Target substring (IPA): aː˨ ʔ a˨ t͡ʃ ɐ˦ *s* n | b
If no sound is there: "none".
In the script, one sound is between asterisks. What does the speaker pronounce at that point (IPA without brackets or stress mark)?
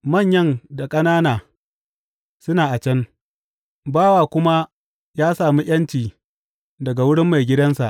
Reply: none